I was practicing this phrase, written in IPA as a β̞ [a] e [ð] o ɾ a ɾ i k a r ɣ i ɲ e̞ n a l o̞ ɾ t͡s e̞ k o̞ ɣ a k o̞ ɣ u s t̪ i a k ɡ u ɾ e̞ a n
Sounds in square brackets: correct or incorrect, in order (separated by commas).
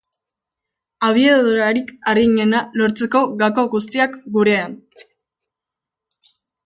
incorrect, correct